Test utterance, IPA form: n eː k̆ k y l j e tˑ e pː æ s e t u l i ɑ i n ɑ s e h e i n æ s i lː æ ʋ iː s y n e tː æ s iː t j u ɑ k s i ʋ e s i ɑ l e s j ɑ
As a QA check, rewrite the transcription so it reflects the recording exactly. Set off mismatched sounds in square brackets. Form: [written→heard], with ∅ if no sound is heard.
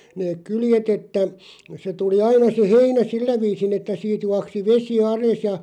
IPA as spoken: n eː k̆ k y l j e tˑ e [pː→tː] æ s e t u l i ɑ i n ɑ s e h e i n æ s i lː æ ʋ iː s [y→i] n e tː æ s iː t j u ɑ k s i ʋ e s i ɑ l e s j ɑ